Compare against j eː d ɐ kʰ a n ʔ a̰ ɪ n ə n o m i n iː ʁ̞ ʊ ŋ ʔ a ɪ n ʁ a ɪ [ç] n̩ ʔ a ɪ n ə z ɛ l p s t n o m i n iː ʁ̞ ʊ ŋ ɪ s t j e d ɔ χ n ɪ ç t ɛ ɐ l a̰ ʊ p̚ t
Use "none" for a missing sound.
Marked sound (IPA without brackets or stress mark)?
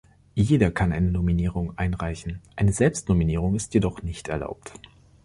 ç